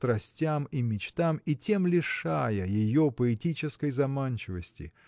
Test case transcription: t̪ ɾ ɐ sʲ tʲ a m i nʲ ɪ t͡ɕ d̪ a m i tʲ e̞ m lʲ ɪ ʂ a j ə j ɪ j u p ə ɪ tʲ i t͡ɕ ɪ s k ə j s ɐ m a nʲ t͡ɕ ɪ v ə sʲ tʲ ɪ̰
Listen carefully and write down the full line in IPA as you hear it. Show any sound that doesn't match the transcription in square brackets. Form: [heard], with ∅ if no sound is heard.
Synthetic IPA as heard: t̪ ɾ ɐ sʲ tʲ a m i [mʲ] ɪ t͡ɕ [t̪] a m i tʲ e̞ m lʲ ɪ ʂ a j ə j ɪ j [o] p ə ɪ tʲ i t͡ɕ ɪ s k ə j [z] ɐ m a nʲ t͡ɕ ɪ v ə sʲ tʲ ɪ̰